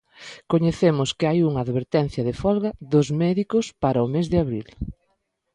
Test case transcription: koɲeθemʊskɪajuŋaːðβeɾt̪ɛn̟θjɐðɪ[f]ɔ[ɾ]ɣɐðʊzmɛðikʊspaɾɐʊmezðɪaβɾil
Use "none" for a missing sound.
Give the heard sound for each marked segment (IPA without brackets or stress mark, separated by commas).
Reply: f, l